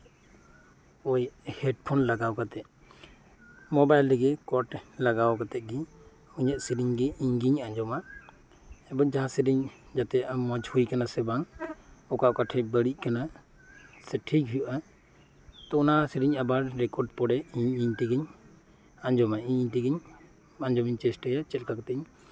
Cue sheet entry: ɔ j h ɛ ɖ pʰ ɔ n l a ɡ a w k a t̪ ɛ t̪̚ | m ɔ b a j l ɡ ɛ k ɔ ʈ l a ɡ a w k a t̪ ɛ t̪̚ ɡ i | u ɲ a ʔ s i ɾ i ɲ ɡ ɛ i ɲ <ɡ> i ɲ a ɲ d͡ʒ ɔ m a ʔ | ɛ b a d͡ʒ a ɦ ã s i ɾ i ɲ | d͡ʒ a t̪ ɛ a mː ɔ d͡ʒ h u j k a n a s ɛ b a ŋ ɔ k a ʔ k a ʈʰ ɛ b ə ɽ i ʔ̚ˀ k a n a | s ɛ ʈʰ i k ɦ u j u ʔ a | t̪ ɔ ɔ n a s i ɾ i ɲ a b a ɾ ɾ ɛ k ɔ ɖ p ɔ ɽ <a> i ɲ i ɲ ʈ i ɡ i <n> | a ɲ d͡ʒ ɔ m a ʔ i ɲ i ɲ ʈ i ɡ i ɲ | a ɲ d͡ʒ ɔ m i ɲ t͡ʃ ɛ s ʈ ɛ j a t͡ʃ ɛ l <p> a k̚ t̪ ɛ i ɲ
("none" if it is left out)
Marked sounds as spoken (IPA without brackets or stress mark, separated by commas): ɡ, ɛ, ɲ, k